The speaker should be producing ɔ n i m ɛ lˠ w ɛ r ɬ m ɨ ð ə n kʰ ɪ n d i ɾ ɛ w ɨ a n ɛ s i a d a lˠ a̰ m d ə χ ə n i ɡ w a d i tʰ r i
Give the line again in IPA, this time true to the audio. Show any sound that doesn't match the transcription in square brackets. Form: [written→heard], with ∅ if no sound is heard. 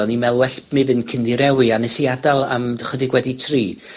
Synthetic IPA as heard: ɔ n i m ɛ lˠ w ɛ [r→∅] ɬ m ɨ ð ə n kʰ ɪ n d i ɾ ɛ w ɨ a n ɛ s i a d a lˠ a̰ m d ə χ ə [n→d] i ɡ w [a→ɛ] d i tʰ r [i→iː]

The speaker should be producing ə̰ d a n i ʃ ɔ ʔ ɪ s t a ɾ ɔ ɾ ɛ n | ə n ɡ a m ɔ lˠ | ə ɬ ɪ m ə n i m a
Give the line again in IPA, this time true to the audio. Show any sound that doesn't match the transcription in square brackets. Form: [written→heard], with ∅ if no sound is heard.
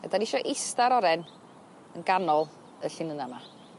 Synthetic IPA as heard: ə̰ d a n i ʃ ɔ ʔ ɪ s t a ɾ ɔ ɾ ɛ n | ə n ɡ a [m→n] ɔ lˠ | ə ɬ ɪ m ə n [i→a] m a

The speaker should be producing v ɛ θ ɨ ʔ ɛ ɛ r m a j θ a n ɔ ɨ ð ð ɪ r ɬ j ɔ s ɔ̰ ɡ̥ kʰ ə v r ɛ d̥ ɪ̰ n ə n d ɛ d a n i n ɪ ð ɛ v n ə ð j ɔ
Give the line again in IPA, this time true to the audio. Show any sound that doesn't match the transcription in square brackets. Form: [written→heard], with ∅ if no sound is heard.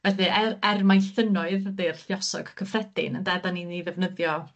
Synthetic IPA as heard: v ɛ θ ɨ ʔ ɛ ɛ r m a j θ [a→ə] n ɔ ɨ ð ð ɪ r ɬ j ɔ s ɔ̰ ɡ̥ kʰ ə [v→f] r ɛ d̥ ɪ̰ n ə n d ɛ d a n i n [ɪ→i] ð ɛ v n ə ð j ɔ

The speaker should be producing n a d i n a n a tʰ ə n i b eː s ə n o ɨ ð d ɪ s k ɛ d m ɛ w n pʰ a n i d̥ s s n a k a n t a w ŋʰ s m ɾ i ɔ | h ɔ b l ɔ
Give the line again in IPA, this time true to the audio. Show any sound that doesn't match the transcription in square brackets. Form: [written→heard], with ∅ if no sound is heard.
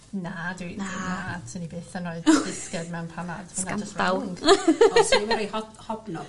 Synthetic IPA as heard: n a d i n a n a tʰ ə n i b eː [s→θ] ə n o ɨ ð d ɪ s k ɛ d m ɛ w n pʰ a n [i→a] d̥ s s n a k a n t a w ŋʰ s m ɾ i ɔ | h ɔ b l ɔ

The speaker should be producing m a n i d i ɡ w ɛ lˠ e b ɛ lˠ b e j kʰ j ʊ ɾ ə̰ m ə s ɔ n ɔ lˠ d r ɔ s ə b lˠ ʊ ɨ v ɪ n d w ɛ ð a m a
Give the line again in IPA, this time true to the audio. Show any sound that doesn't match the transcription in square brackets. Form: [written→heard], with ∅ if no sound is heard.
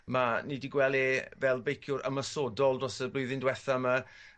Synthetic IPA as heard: m a n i d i ɡ w ɛ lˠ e [b→v] ɛ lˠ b e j kʰ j ʊ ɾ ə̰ m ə s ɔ [n→d] ɔ lˠ d r ɔ s ə b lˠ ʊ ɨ [v→ð] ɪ n d w ɛ [ð→θ] a m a

